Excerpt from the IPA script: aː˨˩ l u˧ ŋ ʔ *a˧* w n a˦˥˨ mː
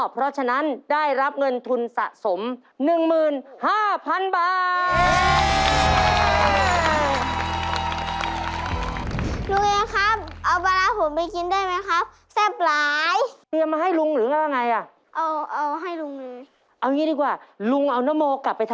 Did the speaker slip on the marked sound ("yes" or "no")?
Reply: no